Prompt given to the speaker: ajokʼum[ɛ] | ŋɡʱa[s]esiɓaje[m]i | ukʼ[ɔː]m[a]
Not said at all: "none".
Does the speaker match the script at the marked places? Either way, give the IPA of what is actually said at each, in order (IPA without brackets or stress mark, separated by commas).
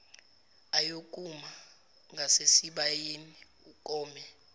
a, s, n, ɔː, ɛ